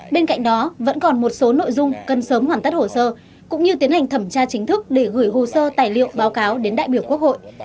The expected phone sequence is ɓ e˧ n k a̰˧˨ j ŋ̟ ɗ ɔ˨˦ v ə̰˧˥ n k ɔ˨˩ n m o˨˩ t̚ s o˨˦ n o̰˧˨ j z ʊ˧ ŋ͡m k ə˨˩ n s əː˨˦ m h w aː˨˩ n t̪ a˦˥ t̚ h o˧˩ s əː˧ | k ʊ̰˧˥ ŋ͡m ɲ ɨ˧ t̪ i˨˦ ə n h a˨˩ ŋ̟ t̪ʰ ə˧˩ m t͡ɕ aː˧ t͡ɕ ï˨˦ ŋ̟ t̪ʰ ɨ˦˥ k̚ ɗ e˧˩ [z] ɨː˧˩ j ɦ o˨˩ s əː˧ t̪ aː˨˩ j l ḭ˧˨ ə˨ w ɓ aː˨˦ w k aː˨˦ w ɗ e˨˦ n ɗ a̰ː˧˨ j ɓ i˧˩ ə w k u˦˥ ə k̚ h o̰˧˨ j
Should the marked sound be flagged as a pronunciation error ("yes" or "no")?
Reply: yes